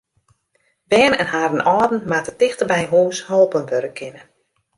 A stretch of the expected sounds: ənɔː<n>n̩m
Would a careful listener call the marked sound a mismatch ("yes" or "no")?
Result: yes